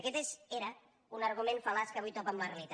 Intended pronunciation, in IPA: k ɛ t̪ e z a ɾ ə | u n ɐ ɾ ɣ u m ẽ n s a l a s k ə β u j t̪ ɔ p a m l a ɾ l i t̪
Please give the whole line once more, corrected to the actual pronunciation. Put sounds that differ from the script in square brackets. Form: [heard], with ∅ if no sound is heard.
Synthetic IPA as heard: k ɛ t̪ e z [e] ɾ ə | u n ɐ ɾ ɣ u m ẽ n [f] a l a s k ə β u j t̪ ɔ p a m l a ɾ l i t̪